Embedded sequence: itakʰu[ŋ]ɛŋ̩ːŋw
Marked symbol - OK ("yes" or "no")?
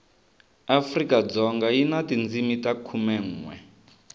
no